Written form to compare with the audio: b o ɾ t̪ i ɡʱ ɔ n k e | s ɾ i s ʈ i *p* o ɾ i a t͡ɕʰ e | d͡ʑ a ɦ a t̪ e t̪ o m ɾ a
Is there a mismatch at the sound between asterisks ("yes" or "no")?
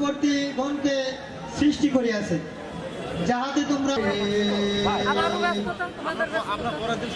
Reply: yes